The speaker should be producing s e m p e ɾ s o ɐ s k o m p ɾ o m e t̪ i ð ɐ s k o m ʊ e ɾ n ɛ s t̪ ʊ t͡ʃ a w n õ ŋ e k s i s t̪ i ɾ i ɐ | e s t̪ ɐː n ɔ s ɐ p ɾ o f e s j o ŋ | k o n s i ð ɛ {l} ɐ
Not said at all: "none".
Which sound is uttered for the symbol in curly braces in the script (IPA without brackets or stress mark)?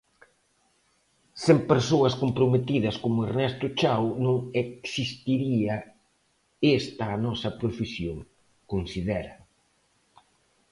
ɾ